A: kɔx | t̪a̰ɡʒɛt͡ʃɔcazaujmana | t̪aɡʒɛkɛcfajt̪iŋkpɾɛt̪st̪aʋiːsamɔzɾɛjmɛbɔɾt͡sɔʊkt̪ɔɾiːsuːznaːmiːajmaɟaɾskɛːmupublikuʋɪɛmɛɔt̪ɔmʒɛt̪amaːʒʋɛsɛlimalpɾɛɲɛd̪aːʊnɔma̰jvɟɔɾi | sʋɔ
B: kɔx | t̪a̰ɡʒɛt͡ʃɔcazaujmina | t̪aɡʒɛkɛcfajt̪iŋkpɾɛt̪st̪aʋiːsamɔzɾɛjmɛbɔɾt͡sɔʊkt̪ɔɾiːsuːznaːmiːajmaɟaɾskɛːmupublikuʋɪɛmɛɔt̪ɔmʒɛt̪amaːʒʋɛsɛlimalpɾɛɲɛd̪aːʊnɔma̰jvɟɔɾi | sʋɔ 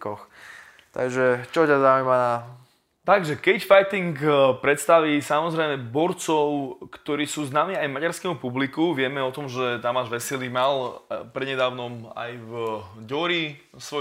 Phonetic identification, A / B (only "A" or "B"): A